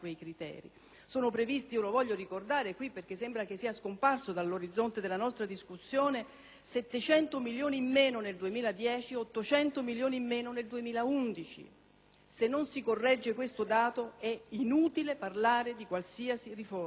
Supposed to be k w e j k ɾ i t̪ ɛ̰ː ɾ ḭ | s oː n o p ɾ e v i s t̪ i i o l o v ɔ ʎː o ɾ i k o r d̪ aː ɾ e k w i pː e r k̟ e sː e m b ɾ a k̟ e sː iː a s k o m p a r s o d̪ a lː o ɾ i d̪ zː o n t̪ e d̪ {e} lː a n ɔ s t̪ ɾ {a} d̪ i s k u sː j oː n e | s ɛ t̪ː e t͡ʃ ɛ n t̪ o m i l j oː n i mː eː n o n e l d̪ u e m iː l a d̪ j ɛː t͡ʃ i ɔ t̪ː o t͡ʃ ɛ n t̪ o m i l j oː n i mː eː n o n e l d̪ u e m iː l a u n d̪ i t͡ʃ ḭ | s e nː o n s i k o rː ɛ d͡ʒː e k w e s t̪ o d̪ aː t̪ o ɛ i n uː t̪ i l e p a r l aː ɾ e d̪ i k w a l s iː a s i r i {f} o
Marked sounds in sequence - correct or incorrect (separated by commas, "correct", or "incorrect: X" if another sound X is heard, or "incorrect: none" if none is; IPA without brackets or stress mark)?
correct, correct, correct